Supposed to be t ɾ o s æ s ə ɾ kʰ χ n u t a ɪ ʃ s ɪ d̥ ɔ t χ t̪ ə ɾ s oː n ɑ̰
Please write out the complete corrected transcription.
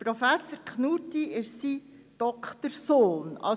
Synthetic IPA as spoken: p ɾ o f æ s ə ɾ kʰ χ n u t i ɪ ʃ s i d̥ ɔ k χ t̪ ə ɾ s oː n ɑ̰